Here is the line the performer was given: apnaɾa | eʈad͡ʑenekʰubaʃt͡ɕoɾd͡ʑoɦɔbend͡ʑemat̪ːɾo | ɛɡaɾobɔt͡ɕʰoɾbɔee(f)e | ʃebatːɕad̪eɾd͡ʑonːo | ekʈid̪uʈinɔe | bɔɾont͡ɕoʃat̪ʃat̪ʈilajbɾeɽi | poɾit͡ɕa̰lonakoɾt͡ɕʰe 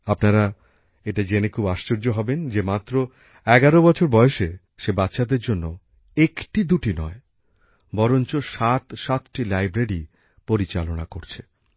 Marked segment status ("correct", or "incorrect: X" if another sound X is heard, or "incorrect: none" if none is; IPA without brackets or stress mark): incorrect: ʃ